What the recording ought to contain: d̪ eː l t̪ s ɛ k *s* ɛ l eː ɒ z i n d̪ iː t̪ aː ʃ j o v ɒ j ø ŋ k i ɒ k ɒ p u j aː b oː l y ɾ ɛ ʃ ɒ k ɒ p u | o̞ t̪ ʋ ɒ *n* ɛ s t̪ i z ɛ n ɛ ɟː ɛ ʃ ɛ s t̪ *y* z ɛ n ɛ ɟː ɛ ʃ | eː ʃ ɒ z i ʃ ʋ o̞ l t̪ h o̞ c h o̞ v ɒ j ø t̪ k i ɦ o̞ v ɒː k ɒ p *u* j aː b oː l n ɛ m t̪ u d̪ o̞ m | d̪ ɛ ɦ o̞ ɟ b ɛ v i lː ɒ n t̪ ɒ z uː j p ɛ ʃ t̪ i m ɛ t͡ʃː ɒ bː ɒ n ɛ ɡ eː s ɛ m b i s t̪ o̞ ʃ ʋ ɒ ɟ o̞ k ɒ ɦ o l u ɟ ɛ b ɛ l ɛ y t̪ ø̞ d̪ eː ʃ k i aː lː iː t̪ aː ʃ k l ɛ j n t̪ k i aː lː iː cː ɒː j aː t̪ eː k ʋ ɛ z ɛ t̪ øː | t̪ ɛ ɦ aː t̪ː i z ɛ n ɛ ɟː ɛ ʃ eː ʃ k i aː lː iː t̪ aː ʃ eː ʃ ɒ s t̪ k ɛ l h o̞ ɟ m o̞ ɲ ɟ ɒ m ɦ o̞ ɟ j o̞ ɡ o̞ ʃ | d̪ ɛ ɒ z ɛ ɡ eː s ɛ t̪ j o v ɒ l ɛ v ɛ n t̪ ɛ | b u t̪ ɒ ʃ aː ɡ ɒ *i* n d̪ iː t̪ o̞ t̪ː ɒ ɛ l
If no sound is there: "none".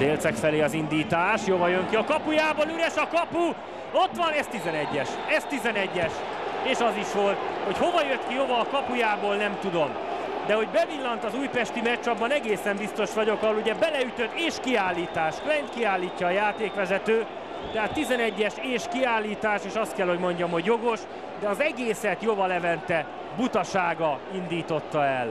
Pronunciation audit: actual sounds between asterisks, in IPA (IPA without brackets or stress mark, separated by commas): f, n, i, u, i